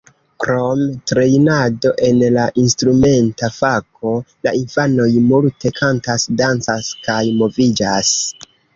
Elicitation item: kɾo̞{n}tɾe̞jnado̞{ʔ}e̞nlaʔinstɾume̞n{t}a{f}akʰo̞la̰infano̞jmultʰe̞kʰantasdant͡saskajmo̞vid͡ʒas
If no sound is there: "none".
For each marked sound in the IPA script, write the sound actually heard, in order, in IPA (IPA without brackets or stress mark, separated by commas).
m, ʔ, t, f